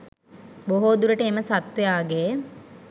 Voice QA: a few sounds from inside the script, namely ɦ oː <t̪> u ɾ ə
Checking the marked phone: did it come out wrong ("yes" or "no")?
yes